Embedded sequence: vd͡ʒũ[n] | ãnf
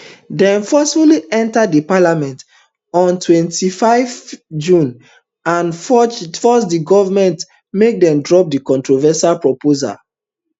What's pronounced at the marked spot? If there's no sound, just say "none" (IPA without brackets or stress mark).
n